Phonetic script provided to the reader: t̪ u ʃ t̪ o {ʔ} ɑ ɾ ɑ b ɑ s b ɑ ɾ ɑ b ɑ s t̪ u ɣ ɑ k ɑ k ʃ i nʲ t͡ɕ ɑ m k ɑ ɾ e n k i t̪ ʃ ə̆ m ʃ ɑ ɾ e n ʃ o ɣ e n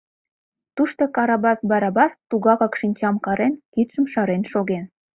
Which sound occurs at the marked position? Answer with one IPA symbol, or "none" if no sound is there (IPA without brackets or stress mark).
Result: k